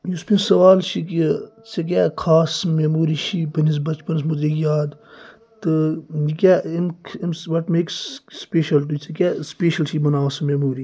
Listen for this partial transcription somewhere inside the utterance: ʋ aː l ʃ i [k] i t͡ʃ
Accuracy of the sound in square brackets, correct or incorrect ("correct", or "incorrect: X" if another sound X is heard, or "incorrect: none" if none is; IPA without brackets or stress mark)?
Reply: correct